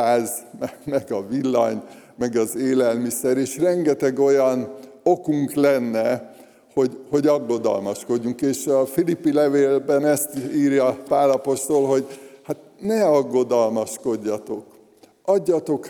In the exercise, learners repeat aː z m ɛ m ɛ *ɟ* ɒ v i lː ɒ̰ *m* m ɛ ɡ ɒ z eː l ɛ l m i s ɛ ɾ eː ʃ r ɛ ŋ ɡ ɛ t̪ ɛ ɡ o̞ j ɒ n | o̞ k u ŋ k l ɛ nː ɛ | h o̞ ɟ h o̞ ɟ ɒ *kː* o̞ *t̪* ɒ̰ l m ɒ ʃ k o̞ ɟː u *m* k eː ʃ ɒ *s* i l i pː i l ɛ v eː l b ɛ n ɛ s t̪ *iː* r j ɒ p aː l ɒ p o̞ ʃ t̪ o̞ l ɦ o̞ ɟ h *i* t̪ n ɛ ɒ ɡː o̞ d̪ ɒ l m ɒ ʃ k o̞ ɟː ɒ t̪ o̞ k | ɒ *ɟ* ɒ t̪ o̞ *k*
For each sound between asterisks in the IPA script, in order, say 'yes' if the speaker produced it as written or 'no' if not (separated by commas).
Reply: no, no, no, no, no, no, yes, no, no, yes